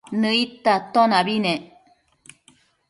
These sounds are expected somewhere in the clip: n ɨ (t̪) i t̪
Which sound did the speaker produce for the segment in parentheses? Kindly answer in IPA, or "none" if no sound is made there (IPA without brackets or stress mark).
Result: none